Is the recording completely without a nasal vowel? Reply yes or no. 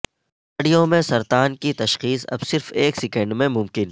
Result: no